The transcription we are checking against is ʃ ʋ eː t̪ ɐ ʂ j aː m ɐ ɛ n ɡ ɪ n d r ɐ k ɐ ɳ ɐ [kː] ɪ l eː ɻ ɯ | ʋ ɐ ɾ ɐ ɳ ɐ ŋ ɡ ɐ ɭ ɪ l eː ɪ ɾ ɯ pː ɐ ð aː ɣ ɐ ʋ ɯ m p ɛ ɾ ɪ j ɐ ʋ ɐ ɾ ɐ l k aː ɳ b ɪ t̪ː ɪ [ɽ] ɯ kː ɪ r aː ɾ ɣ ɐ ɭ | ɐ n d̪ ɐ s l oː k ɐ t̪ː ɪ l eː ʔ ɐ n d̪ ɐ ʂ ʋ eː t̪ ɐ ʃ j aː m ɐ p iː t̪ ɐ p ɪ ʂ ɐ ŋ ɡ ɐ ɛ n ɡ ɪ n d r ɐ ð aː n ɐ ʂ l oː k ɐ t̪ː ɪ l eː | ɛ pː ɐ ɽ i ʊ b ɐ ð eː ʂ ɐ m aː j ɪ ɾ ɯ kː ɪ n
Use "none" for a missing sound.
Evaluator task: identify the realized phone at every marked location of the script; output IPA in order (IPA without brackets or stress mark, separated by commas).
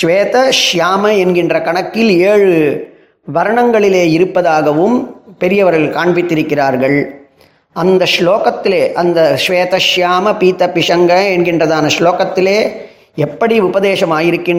kː, ɾ